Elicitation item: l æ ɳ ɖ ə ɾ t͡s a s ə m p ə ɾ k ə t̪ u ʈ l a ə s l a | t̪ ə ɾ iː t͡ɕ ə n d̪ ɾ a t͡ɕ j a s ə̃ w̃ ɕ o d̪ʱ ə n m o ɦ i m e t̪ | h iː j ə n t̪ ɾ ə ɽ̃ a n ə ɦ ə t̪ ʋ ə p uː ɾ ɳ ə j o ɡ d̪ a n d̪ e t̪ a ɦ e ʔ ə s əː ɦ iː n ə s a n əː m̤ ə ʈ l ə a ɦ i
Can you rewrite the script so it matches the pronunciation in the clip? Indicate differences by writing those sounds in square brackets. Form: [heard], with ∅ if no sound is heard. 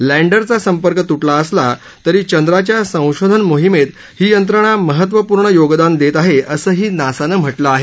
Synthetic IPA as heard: l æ ɳ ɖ ə ɾ t͡s a s ə m p ə ɾ k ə t̪ u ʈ l a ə s l a | t̪ ə ɾ iː t͡ɕ ə n d̪ ɾ a t͡ɕ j a s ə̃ w̃ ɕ o d̪ʱ ə n m o ɦ i m e t̪ | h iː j ə n t̪ ɾ ə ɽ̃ a [m] ə ɦ ə t̪ ʋ ə p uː ɾ ɳ ə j o ɡ d̪ a n d̪ e t̪ a ɦ e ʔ ə s əː ɦ iː n [a] s a n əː m̤ ə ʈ l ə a ɦ [e]